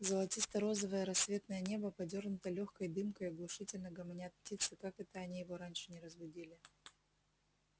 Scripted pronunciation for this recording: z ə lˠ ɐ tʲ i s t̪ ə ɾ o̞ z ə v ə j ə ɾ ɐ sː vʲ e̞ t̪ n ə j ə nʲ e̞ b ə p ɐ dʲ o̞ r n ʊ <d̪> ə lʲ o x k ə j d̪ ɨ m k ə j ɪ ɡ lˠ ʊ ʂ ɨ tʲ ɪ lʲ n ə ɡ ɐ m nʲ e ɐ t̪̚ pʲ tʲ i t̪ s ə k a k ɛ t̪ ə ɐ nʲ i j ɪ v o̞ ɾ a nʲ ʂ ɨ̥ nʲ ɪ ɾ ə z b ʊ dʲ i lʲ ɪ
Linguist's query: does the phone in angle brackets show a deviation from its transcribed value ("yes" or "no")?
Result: yes